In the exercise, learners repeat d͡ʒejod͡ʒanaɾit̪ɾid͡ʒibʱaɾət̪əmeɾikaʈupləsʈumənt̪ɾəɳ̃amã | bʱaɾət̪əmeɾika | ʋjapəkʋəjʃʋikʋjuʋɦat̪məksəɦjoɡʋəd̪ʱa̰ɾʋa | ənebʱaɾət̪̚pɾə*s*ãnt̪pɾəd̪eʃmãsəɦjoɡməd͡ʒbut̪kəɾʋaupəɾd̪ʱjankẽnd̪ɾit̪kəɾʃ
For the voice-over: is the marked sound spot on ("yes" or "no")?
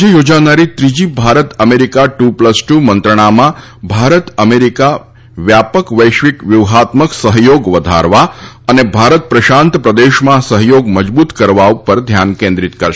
no